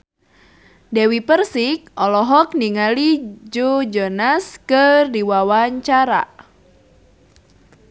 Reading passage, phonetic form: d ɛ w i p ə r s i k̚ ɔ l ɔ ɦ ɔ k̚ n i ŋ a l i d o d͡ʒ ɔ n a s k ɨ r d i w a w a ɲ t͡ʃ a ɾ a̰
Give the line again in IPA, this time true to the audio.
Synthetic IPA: d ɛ w i p ə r s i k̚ ɔ l ɔ ɦ ɔ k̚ n i ŋ a l i d͡ʒ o d͡ʒ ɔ n a s k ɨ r d i w a w a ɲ t͡ʃ a ɾ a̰